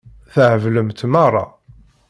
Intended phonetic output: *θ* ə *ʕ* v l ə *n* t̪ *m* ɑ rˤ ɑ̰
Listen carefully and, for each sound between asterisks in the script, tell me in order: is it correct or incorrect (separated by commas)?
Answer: correct, correct, incorrect, correct